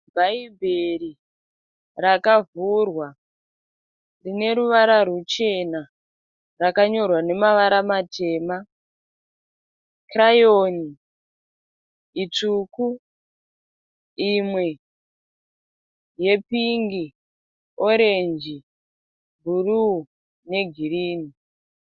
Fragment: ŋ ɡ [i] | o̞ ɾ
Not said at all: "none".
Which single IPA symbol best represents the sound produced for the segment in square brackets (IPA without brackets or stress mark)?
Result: i